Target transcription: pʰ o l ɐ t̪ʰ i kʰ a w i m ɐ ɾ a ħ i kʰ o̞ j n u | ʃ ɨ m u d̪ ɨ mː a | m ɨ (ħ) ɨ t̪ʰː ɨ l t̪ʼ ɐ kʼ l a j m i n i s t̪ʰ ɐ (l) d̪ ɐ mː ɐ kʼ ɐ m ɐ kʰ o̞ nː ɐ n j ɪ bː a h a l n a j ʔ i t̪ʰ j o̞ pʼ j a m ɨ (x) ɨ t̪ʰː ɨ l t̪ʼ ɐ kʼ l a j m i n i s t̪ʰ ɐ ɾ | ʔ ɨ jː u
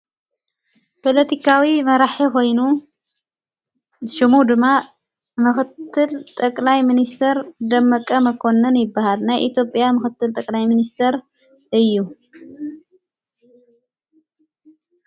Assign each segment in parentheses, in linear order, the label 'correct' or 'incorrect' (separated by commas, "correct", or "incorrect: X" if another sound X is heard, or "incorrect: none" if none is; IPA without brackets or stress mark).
incorrect: x, incorrect: ɾ, correct